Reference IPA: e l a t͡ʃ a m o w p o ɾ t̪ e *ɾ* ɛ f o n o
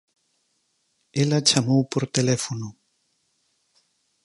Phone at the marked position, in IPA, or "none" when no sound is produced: l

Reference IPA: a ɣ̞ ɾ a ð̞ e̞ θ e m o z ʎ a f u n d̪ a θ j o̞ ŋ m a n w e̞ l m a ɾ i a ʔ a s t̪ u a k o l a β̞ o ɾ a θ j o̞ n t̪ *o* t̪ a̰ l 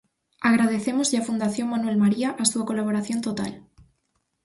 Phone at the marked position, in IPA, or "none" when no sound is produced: o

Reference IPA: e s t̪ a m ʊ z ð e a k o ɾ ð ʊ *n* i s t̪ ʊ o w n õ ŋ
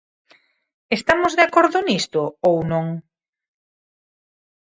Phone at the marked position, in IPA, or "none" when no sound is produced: n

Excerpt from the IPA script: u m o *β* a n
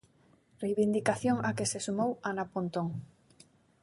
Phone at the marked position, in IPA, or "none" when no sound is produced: w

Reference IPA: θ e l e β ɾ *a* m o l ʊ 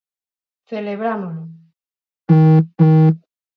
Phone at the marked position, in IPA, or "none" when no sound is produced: a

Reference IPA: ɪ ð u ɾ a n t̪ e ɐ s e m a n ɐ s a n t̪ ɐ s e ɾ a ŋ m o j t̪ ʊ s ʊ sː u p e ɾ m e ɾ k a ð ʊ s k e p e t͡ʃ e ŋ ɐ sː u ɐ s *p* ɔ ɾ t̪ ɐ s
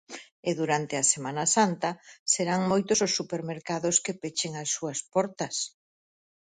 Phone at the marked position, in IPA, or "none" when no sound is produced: p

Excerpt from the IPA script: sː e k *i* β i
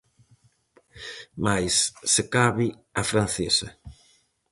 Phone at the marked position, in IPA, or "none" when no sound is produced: a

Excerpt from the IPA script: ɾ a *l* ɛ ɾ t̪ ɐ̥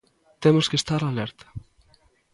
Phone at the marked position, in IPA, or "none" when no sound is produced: l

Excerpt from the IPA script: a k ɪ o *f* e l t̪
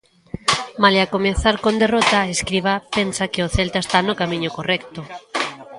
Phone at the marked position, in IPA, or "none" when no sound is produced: θ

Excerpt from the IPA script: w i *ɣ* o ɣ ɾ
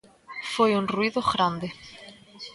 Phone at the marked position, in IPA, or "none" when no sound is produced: ð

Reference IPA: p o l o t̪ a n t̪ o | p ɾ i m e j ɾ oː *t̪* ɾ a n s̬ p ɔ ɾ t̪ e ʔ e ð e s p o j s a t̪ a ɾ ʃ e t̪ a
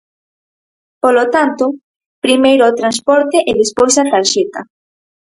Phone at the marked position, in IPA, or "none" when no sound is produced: t̪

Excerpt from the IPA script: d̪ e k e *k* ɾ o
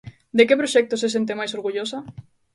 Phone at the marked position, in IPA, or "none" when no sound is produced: p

